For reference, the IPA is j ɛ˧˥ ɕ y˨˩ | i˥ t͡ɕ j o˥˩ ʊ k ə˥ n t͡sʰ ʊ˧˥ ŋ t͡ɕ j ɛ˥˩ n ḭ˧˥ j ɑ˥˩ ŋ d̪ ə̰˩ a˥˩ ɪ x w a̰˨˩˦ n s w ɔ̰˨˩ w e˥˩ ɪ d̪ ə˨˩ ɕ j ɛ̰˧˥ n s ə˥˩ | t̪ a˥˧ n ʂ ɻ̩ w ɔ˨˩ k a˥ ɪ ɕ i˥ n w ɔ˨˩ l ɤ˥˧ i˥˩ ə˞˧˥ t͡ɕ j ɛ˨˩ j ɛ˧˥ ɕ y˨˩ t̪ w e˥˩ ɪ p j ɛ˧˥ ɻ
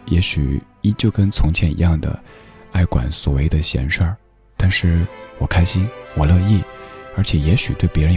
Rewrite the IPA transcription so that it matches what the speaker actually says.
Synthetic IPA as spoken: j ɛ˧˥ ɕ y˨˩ | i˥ t͡ɕ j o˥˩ ʊ k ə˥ n t͡sʰ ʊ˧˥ ŋ t͡ɕʰ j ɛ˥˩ n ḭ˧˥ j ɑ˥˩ ŋ d̪ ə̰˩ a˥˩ ɪ k w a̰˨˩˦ n s w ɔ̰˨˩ w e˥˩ ɪ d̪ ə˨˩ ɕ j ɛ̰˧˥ n ʂ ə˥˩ | t̪ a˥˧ n ʂ ɻ̩ w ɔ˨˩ kʰ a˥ ɪ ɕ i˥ n w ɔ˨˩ l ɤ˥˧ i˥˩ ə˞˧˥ t͡ɕʰ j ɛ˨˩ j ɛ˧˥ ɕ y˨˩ t̪ w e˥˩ ɪ p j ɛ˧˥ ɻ